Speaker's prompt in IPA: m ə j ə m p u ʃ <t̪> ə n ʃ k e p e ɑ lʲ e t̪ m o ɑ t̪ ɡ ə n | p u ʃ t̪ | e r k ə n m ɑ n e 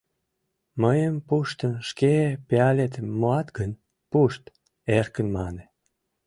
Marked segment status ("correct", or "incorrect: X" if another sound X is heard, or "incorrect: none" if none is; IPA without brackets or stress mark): correct